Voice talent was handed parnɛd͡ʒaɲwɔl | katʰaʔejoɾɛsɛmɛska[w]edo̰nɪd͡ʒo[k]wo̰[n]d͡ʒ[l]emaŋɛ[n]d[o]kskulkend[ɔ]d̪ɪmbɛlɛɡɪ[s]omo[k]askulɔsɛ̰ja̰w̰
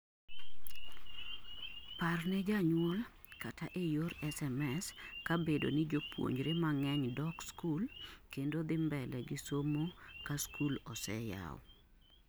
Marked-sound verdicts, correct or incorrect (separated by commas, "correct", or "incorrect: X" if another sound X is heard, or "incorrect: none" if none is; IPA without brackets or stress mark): incorrect: b, incorrect: p, incorrect: ɲ, incorrect: ɾ, incorrect: ɲ, incorrect: ɔ, incorrect: o, correct, correct